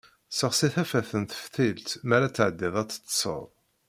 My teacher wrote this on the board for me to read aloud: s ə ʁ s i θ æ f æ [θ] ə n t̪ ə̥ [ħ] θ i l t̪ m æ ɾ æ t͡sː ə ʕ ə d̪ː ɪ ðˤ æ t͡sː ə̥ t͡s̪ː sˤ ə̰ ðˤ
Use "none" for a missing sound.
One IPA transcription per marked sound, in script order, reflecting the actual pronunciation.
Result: θ, f

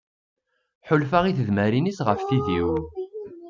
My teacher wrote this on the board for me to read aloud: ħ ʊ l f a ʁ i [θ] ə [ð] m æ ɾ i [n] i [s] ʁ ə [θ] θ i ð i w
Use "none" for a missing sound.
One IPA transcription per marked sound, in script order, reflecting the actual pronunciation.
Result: θ, ð, n, s, f

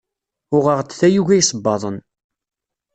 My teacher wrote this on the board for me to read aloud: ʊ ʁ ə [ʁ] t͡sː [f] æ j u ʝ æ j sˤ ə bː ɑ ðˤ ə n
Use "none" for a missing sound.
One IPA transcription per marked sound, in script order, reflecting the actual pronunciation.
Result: ʁ, θ

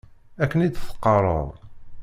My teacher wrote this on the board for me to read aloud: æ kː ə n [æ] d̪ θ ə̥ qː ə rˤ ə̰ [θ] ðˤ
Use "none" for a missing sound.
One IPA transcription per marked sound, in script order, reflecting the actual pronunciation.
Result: i, none

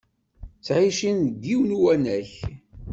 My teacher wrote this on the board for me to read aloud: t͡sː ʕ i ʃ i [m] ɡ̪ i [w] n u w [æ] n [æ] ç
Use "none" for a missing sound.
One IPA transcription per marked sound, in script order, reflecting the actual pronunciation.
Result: n, w, æ, æ

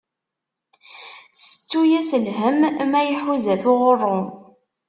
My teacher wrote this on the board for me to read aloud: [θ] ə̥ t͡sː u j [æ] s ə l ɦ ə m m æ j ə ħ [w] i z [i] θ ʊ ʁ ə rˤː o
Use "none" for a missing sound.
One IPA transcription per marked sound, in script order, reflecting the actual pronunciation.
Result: s, æ, w, æ

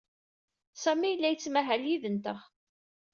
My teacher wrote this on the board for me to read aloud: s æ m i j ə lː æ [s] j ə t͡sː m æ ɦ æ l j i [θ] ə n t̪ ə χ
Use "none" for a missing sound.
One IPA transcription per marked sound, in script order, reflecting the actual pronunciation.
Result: none, ð

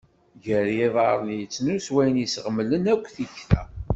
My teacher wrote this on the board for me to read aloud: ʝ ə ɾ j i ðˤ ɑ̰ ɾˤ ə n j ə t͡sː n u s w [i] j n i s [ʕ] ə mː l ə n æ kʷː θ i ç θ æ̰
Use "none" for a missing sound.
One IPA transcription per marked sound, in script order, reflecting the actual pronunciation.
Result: æ, ʁ

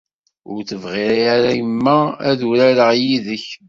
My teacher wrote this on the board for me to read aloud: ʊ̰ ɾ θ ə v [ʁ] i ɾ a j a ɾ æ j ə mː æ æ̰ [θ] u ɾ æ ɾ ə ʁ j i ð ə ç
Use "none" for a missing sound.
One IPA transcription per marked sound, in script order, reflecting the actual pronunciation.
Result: ʁ, ð

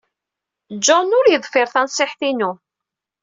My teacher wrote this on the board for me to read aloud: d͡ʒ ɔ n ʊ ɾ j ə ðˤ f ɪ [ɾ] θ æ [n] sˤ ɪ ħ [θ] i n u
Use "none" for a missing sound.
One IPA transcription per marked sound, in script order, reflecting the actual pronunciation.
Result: ɾ, n, θ

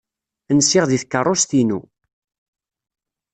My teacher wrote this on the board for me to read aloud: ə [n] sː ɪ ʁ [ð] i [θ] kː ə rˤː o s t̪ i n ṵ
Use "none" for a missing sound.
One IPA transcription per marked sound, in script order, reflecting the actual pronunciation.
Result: n, ð, θ

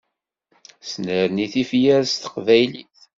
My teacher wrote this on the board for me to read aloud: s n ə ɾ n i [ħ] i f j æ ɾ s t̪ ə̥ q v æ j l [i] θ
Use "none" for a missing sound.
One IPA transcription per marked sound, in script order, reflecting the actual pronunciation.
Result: θ, i

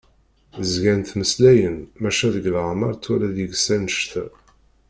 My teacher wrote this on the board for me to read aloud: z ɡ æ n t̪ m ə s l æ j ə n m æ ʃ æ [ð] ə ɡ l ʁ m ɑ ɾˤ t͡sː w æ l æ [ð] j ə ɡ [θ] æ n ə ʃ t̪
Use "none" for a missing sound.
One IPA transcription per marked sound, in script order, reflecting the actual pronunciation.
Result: ð, ð, s

